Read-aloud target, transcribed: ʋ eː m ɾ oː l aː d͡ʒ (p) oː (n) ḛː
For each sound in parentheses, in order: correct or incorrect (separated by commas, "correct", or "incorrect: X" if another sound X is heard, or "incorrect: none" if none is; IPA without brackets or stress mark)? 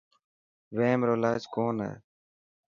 incorrect: k, correct